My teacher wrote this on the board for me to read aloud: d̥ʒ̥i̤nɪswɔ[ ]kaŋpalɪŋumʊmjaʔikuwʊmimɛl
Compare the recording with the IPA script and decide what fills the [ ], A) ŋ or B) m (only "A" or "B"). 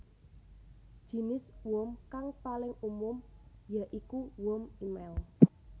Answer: B